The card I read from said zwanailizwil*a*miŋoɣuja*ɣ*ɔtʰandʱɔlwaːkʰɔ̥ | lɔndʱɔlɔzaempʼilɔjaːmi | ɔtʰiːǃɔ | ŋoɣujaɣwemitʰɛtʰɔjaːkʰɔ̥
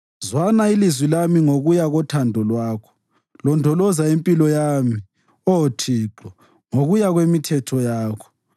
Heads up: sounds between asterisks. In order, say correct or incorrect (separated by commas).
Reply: correct, correct